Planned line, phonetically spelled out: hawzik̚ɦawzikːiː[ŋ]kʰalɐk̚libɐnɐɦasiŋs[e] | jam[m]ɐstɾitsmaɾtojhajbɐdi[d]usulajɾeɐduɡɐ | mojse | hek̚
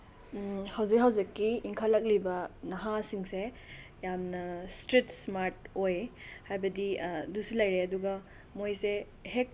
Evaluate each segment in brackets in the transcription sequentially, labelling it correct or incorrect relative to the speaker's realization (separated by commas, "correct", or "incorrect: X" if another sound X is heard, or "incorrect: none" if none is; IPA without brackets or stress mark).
correct, correct, incorrect: n, correct